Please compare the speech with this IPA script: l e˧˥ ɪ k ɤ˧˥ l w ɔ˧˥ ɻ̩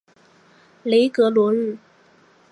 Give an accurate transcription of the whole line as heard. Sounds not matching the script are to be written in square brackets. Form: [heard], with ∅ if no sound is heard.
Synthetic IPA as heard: l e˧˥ ɪ k ɤ˧˥ l w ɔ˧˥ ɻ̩